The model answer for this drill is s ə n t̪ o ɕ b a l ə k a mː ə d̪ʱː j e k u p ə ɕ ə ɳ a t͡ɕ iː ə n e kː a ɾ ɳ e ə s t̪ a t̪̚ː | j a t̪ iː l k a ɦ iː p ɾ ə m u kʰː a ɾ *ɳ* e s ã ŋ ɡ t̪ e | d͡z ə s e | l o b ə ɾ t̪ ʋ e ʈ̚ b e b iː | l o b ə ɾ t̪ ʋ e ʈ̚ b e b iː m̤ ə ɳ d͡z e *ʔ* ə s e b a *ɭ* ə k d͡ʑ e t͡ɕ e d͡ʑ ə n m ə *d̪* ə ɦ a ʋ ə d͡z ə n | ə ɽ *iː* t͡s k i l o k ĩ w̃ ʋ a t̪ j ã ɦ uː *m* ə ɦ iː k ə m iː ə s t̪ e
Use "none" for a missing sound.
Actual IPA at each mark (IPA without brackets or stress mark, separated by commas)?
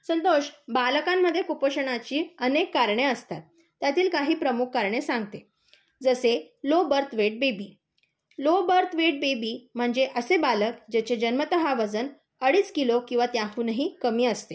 ɳ, ʔ, l, t̪, iː, n